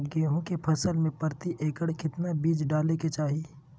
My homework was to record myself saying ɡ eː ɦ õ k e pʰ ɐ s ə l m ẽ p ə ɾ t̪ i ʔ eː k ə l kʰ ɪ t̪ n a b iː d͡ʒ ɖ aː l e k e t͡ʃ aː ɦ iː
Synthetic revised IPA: ɡ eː ɦ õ k e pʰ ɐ s ə l m ẽ p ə ɾ t̪ i ʔ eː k ə ɽ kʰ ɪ t̪ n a b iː d͡ʒ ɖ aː l e k e t͡ʃ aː ɦ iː